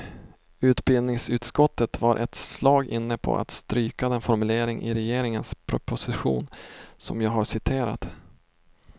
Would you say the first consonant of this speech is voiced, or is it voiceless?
voiceless